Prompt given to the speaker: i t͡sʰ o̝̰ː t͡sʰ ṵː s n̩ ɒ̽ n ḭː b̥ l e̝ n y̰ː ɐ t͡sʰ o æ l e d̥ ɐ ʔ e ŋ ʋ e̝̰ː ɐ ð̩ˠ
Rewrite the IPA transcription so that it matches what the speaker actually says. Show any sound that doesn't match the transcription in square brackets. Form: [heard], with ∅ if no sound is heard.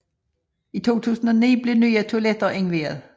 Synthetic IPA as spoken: i t͡sʰ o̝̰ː t͡sʰ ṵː s n̩ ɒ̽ n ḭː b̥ l e̝ n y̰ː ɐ t͡sʰ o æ l e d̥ ɐ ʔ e ŋ ʋ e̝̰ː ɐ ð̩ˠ